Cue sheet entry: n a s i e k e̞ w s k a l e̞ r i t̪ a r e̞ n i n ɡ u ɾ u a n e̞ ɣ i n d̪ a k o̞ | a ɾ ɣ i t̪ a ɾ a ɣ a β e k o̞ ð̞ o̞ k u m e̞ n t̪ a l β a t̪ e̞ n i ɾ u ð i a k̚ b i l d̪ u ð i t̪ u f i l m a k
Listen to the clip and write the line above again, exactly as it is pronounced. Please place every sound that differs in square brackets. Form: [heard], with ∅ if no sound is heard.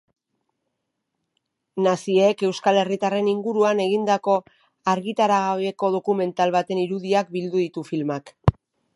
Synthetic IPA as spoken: n a s i e k e̞ w s k a l e̞ r i t̪ a r e̞ n i [ŋ] ɡ u ɾ u a n e̞ ɣ i n d̪ a k o̞ | a ɾ ɣ i t̪ a ɾ a ɣ a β e k o̞ ð̞ o̞ k u m e̞ n t̪ a l β a t̪ e̞ n i ɾ u ð i a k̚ b i l d̪ u ð i t̪ u f i l m a k